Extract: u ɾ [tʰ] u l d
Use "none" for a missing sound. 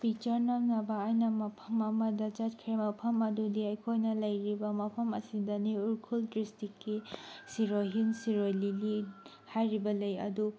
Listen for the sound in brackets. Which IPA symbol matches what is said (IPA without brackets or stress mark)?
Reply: kʰ